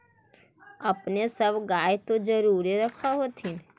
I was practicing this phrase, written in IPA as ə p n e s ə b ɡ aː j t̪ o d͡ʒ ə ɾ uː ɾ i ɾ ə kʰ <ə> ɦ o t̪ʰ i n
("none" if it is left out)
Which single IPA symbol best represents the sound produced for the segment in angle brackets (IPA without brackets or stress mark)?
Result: a